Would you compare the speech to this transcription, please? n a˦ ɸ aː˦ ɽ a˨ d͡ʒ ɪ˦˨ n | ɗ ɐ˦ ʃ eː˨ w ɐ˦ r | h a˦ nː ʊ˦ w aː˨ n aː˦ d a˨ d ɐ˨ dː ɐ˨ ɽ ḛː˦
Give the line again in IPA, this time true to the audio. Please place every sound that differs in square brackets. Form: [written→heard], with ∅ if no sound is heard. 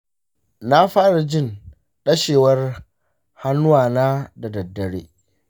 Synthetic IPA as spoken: n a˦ ɸ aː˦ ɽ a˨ d͡ʒ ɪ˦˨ n | ɗ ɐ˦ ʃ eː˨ w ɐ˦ r | h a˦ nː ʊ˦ w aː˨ n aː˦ d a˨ d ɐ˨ dː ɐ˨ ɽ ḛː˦